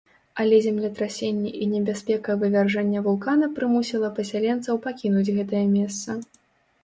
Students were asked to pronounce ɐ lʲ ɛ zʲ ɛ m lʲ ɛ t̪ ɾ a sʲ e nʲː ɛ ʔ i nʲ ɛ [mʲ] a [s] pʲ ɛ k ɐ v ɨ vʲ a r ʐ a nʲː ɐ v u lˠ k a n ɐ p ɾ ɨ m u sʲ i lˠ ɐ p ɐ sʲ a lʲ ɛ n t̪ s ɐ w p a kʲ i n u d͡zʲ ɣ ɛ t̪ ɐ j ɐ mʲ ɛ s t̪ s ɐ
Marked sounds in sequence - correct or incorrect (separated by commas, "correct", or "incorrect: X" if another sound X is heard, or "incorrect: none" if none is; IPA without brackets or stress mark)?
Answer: incorrect: bʲ, correct